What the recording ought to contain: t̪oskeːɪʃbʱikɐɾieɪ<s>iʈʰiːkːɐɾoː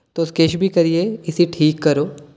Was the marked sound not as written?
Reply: no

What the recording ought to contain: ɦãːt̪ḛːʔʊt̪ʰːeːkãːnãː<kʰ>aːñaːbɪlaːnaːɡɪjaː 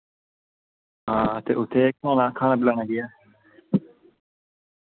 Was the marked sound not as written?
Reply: no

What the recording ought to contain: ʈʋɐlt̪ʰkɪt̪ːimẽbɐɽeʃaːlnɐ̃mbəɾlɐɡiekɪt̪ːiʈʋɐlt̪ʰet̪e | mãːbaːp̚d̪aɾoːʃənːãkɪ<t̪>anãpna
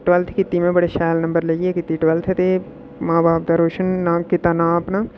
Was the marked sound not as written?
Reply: no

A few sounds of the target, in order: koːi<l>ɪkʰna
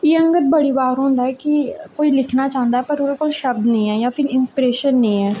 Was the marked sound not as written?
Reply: no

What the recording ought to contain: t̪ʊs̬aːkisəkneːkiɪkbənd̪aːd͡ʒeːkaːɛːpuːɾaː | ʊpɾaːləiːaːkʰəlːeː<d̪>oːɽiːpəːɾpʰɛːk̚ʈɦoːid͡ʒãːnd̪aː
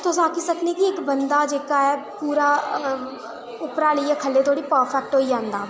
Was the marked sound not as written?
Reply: yes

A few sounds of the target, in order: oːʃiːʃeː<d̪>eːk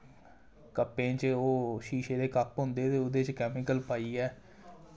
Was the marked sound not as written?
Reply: no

